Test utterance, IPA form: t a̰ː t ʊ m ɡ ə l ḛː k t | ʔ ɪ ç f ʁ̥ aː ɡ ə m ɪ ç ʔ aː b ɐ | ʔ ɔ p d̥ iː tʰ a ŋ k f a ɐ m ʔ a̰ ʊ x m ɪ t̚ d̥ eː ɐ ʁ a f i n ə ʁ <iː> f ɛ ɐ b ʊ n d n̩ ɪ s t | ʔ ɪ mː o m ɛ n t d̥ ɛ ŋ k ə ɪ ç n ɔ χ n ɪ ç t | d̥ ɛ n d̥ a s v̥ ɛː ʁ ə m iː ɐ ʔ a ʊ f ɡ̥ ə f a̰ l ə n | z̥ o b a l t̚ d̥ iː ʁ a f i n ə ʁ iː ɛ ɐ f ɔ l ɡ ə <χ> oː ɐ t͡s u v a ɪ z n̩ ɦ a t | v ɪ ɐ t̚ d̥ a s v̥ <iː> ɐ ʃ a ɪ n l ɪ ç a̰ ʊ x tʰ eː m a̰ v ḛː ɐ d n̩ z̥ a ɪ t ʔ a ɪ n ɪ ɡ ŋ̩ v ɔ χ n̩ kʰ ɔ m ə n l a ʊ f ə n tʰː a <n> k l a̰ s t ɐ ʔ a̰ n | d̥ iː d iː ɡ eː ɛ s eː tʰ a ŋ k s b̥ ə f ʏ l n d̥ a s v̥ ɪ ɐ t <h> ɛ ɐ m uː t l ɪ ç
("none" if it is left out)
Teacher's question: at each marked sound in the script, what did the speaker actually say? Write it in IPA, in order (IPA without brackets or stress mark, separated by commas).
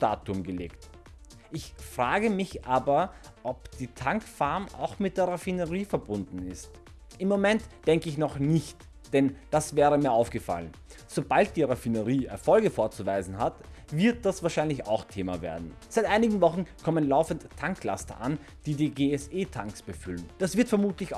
iː, f, aː, ŋ, f